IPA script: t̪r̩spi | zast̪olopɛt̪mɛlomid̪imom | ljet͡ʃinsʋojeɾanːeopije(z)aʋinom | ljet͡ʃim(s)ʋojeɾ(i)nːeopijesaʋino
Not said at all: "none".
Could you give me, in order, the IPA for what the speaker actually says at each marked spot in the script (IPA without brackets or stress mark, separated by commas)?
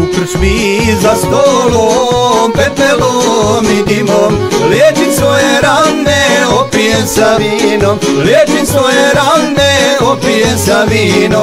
s, s, a